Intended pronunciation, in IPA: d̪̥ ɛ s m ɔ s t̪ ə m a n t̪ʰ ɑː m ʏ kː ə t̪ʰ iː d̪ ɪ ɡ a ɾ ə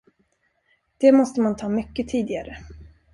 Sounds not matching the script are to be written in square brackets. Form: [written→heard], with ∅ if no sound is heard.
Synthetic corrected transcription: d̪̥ ɛ [s→∅] m ɔ s t̪ ə m a n t̪ʰ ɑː m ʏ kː ə t̪ʰ iː d̪ ɪ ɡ a ɾ ə